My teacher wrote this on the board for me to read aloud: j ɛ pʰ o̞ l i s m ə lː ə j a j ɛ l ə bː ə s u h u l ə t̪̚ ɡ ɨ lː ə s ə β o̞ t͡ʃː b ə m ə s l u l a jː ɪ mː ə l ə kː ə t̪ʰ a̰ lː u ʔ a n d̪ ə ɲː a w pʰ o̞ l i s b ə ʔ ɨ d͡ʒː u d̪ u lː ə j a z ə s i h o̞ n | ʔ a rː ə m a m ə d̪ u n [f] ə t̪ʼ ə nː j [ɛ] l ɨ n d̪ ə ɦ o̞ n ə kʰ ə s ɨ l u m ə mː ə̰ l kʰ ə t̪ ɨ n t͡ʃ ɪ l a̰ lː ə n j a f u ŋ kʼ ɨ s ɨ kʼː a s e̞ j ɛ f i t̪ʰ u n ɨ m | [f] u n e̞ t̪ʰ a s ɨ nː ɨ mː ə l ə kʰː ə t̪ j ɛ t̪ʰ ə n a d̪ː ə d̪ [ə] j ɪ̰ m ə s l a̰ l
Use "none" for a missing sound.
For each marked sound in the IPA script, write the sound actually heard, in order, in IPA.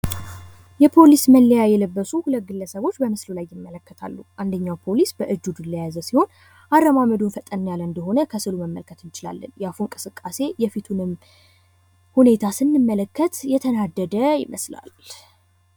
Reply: f, a, h, ə

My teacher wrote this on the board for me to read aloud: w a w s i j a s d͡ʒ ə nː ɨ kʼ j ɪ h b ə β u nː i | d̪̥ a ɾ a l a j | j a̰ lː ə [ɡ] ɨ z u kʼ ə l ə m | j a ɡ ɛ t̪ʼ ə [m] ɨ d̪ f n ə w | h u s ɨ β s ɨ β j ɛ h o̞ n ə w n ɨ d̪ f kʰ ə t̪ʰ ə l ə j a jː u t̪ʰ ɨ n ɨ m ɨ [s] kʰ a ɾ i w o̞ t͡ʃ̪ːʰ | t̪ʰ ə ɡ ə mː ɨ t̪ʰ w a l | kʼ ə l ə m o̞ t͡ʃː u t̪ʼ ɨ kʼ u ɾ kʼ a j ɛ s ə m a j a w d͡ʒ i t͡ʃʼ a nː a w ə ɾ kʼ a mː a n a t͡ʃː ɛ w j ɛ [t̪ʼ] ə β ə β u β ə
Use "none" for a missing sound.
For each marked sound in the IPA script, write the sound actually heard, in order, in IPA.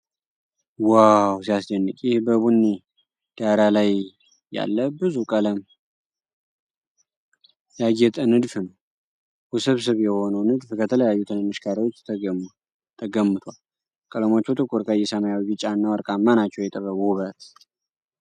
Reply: b, n, ʃ, t̪ʼ

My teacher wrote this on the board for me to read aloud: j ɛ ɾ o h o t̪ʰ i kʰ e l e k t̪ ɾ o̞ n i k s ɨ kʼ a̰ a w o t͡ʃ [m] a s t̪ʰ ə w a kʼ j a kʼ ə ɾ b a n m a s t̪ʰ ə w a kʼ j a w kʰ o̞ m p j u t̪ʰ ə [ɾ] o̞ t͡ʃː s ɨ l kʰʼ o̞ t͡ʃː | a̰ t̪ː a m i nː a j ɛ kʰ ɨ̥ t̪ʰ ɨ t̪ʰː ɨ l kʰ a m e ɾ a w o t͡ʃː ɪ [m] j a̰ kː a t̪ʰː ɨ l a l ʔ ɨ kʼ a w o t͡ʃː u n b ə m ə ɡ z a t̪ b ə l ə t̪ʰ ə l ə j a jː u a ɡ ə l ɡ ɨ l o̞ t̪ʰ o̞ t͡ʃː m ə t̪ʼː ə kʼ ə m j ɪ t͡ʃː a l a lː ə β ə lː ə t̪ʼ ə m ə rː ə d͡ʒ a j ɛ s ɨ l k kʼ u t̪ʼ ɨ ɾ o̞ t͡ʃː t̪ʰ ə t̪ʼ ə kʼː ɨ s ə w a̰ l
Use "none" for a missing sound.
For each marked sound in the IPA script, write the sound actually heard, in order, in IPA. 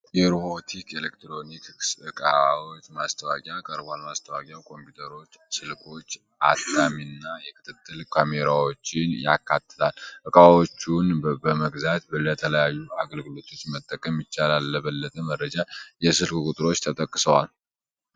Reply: m, ɾ, n

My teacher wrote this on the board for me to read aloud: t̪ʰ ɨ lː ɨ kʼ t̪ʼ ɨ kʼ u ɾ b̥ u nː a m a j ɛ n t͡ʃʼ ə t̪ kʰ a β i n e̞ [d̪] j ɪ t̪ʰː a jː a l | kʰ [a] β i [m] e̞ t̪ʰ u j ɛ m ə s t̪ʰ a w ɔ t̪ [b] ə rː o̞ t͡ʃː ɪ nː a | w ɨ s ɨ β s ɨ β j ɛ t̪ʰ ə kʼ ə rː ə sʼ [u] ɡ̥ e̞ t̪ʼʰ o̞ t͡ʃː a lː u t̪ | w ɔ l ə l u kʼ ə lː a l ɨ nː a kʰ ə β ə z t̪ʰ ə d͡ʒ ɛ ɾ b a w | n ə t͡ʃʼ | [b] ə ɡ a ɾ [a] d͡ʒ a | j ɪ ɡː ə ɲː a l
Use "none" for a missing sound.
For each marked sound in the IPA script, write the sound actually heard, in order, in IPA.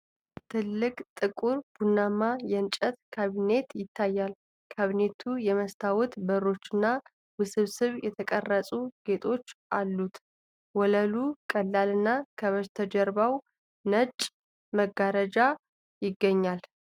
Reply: t̪, a, n, b, u, m, ə

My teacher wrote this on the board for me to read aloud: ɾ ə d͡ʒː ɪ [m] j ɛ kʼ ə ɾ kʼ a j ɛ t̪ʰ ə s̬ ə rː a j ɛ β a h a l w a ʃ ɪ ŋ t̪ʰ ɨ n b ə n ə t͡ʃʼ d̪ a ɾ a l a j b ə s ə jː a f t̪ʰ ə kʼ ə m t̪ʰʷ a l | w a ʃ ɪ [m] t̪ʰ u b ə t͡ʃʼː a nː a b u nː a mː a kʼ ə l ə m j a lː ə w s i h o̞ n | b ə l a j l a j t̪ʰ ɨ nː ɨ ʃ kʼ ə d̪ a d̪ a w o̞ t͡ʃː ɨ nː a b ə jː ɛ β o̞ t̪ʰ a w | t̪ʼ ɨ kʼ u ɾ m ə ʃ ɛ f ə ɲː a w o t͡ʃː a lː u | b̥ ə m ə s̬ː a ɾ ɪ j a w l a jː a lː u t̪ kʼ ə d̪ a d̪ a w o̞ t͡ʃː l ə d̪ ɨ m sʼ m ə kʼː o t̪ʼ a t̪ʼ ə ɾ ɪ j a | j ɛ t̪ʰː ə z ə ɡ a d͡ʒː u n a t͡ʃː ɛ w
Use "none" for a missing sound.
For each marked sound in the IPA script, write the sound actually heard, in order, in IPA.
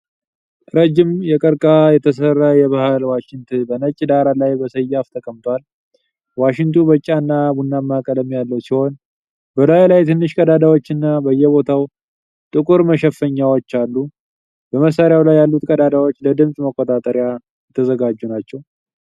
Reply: m, ŋ

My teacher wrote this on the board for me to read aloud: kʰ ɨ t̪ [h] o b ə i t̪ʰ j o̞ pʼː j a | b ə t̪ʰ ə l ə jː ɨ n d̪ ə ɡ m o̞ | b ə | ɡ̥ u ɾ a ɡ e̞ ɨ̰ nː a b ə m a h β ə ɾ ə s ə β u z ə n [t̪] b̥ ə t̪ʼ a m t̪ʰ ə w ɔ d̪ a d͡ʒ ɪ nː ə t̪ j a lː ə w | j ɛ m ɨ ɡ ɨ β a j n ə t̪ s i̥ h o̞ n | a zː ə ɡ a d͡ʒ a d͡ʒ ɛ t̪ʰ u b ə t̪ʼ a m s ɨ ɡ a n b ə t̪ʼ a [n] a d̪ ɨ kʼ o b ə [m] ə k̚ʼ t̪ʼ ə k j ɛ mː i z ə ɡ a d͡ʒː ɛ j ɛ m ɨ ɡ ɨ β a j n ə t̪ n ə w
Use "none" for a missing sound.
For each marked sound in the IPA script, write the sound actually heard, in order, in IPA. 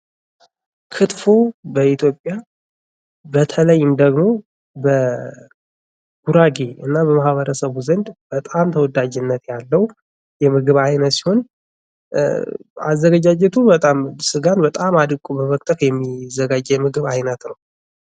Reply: f, d̪, m, m

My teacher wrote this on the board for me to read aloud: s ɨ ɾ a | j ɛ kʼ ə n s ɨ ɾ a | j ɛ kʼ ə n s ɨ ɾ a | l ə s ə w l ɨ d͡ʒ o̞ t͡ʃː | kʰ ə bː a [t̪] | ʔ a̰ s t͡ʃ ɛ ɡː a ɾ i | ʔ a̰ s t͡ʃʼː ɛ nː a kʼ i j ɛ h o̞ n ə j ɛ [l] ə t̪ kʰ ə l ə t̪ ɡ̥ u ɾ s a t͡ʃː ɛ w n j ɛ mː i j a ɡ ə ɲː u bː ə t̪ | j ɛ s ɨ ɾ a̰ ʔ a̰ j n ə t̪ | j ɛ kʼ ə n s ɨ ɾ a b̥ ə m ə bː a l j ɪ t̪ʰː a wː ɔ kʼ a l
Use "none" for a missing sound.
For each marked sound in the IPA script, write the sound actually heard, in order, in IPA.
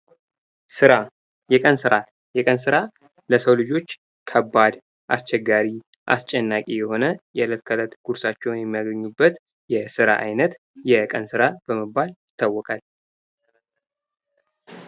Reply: d̪, l

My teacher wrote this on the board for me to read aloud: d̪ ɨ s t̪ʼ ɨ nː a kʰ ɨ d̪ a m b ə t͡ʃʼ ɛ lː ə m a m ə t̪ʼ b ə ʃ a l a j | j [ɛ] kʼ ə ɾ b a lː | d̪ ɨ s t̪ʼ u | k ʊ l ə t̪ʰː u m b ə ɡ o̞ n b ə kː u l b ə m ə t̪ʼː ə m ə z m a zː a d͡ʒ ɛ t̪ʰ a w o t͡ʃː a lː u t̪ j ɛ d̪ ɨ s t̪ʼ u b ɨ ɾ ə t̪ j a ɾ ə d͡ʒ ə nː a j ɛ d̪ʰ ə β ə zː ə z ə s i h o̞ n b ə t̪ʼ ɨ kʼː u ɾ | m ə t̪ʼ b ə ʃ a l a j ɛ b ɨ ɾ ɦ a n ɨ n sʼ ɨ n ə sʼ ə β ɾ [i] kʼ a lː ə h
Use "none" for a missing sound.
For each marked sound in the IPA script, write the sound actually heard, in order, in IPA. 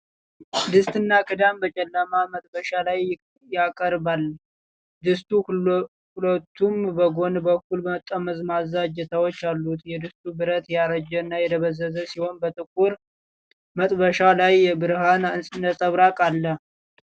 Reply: a, a

